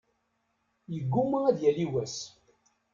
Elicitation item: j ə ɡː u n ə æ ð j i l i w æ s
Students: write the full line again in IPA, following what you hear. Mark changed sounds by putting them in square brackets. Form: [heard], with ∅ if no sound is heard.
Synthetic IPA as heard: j ə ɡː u [m] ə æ ð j [æ] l i w æ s